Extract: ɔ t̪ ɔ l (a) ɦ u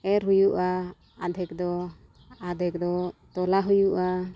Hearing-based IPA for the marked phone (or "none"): a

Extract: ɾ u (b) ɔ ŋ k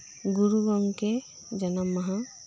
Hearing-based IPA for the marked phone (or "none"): ɡ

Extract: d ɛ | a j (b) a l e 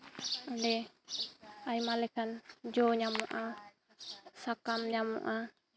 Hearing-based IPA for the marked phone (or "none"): m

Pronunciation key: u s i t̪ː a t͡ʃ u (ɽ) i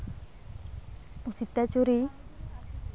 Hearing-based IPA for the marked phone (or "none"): ɾ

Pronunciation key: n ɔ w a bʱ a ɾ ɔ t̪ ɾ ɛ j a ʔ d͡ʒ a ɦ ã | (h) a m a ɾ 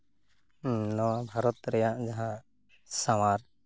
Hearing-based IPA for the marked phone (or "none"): s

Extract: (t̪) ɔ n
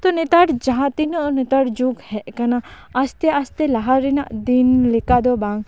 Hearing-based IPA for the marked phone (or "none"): t̪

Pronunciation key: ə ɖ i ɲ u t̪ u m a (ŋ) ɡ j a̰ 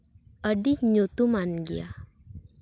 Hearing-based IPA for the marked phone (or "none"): n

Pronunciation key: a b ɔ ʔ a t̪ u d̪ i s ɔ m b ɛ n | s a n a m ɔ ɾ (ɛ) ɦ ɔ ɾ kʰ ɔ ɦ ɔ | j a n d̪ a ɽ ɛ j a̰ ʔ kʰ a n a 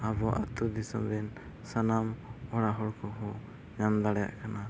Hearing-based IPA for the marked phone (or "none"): a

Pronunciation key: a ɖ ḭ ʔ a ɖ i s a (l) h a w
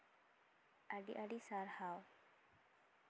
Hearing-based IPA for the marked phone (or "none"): ɾ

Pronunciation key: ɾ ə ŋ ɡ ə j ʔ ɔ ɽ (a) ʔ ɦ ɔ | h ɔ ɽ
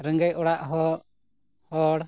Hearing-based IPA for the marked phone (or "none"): a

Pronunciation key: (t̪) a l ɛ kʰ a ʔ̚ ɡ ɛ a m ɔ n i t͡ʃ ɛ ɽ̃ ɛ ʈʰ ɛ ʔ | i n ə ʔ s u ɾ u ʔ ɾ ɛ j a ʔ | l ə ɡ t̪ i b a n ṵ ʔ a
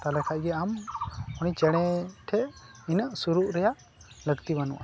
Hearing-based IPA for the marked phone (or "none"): t̪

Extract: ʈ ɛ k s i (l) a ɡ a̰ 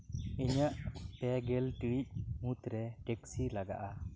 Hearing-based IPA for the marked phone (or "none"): l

